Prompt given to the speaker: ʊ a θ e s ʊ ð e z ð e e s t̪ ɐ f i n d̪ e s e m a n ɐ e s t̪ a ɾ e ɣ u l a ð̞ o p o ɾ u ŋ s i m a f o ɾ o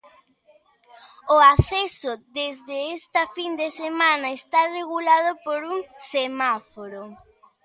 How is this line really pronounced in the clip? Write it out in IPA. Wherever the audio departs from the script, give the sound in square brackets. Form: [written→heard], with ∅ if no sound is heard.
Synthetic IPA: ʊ a θ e s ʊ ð e z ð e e s t̪ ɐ f i n d̪ e s e m a n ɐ e s t̪ a [ɾ→r] e ɣ u l a ð̞ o p o ɾ u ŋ s [i→e] m a f o ɾ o